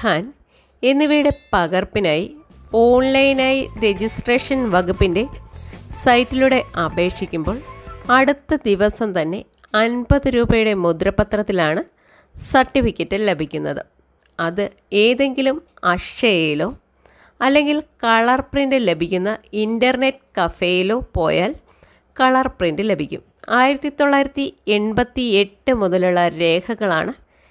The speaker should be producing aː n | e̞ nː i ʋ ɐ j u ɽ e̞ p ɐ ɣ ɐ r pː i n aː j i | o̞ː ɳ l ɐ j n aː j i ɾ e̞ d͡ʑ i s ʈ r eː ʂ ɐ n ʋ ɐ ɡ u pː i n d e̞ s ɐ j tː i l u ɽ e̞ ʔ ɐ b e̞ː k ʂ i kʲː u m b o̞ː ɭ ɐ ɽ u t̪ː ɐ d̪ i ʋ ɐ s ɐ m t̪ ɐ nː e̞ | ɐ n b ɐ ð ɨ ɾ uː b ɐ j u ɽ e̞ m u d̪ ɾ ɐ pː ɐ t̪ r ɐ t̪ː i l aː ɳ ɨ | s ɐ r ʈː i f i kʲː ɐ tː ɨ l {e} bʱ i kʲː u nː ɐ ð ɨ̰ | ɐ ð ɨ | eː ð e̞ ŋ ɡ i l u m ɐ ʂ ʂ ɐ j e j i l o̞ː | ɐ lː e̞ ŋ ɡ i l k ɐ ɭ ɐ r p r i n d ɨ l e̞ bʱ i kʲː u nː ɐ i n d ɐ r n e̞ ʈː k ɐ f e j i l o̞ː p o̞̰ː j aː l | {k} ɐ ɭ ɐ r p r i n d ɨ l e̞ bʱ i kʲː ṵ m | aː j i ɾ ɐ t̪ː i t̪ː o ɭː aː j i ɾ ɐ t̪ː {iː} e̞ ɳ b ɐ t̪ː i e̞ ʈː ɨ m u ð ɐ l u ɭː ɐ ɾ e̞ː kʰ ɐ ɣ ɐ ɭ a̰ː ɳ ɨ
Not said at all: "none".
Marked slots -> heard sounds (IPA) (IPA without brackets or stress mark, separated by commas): e, k, i